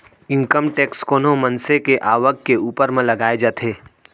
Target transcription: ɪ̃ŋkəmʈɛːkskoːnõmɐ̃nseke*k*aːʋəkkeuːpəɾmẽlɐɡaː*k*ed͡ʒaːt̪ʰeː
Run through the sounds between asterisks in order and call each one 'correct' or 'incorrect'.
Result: incorrect: ʔ, incorrect: none

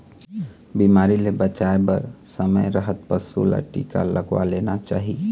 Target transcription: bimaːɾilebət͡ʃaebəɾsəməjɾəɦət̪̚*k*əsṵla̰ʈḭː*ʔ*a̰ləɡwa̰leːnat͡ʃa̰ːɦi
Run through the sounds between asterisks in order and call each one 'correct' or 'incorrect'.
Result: incorrect: p, incorrect: k

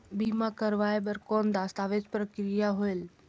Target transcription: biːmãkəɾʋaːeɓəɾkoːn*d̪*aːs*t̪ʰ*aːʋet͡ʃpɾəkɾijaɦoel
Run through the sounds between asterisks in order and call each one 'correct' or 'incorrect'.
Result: correct, incorrect: t̪

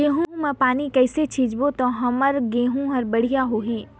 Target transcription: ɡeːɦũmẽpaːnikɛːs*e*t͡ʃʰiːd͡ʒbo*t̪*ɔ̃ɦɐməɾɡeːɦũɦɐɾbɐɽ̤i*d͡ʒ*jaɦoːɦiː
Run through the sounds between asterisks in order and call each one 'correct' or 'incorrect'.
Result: correct, correct, incorrect: none

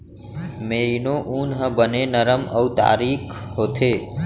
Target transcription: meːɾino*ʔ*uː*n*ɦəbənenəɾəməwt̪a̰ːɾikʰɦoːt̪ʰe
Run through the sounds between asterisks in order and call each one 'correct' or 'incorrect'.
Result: correct, correct

